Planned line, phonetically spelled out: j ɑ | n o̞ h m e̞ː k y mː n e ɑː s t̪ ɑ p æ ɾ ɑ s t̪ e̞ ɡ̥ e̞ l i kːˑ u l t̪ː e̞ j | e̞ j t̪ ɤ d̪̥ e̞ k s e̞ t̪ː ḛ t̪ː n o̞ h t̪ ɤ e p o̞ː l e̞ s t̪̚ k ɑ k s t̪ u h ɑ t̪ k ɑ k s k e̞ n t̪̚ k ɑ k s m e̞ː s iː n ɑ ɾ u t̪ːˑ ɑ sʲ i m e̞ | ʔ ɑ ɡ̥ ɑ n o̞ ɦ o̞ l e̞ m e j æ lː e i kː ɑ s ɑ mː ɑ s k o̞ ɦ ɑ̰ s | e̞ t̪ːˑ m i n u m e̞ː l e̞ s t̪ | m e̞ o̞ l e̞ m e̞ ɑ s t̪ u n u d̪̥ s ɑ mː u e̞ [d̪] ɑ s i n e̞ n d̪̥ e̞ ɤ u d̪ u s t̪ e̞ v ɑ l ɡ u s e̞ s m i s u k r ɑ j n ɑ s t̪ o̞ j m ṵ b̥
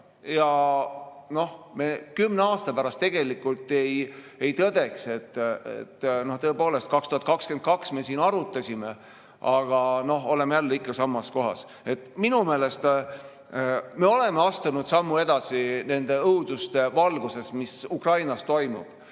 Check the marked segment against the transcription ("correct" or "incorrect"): correct